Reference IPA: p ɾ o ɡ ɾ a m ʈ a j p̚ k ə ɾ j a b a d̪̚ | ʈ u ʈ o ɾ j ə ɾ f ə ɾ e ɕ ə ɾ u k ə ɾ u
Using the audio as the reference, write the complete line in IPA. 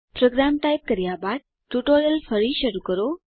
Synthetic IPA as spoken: p ɾ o ɡ ɾ a m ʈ a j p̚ k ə ɾ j a b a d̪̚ | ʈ u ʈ o ɾ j ə l f ə ɾ i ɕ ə ɾ u k ə ɾ o